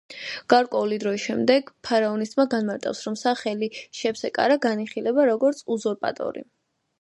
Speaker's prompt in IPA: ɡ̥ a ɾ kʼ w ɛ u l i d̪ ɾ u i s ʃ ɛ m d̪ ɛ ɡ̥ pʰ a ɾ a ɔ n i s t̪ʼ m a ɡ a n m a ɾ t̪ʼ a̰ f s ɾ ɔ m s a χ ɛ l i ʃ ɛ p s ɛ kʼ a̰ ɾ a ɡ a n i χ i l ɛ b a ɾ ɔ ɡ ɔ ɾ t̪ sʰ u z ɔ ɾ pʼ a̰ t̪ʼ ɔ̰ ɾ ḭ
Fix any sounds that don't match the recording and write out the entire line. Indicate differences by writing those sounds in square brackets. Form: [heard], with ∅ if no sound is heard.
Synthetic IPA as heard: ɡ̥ a ɾ kʼ w ɛ u l i d̪ ɾ [ɔ] i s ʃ ɛ m d̪ ɛ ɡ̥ pʰ a ɾ a ɔ n i s t̪ʼ m a ɡ a n m a ɾ t̪ʼ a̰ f s ɾ ɔ m s a χ ɛ l i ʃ ɛ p s ɛ kʼ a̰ ɾ a ɡ a n i χ i l ɛ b a ɾ ɔ ɡ ɔ ɾ t̪ sʰ u z ɔ ɾ pʼ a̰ t̪ʼ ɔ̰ ɾ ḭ